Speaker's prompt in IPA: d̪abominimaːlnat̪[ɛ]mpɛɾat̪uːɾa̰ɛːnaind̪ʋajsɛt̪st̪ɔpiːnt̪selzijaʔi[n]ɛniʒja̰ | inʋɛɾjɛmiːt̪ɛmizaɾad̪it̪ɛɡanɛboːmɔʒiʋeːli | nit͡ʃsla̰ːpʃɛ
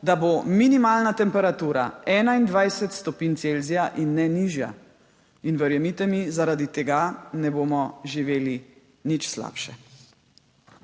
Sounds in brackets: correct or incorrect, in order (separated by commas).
correct, incorrect